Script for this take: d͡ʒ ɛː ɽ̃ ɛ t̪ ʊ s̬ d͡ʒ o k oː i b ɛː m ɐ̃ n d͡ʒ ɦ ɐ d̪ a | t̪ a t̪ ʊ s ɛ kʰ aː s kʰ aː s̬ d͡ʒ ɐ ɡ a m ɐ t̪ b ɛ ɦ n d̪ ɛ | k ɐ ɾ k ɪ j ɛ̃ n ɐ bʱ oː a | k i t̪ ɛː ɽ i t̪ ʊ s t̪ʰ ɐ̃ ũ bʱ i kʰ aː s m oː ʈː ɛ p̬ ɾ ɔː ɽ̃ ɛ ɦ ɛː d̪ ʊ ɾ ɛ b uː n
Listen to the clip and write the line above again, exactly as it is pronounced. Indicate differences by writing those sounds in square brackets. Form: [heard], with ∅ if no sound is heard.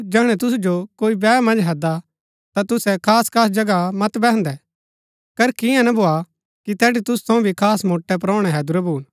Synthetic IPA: d͡ʒ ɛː ɽ̃ ɛ t̪ ʊ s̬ d͡ʒ o k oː i b ɛː m ɐ̃ n d͡ʒ ɦ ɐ d̪ a | t̪ a t̪ ʊ s ɛ kʰ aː s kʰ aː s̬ d͡ʒ ɐ ɡ a m ɐ t̪ b ɛ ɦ n d̪ ɛ | k ɐ ɾ k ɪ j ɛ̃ n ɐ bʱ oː a | k i t̪ ɛː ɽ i t̪ ʊ s t̪ʰ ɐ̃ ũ bʱ i kʰ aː s m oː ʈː ɛ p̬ ɾ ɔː ɽ̃ ɛ ɦ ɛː d̪ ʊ ɾ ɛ b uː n